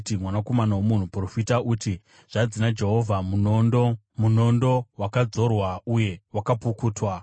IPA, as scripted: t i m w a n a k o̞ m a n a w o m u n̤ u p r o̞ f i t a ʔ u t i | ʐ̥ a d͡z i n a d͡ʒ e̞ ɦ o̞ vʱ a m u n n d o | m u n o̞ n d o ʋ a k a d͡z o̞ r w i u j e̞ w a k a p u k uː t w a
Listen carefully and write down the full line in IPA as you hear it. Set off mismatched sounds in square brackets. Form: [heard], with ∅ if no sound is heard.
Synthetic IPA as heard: t i m w a n a k o̞ m a n a w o m u n̤ u p r o̞ f i t a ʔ u t i | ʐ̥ a d͡z i n a d͡ʒ e̞ ɦ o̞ vʱ a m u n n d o | m u n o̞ n d o [w] a k a d͡z o̞ r w [a] u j e̞ w a k a p u k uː t w a